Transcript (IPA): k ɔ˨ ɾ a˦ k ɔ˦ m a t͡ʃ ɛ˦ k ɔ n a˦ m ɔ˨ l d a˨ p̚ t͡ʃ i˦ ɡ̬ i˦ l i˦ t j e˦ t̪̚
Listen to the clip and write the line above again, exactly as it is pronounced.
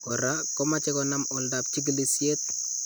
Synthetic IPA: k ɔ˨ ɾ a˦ k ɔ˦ m a t͡ʃ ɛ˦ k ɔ n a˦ m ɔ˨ l d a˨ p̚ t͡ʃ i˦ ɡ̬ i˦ l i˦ s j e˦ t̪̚